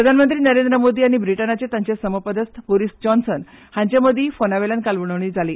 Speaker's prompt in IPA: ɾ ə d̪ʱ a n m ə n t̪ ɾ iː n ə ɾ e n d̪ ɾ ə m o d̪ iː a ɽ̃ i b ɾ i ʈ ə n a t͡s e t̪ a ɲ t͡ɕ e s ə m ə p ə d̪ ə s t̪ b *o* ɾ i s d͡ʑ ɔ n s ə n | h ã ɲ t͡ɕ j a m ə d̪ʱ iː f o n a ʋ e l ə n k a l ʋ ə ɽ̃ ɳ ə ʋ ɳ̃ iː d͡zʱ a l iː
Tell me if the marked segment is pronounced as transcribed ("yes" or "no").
yes